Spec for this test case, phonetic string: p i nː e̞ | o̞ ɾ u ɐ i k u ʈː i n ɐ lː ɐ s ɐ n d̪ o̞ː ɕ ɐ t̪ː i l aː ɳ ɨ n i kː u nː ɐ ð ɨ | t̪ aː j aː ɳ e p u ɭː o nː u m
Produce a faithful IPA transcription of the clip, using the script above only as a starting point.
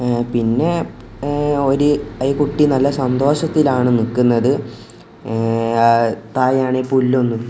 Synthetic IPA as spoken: p i nː e̞ | o̞ ɾ u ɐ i k u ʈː i n ɐ lː ɐ s ɐ n d̪ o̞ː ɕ ɐ t̪ː i l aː ɳ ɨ n i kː u nː ɐ ð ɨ | t̪ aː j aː ɳ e p u lː o nː u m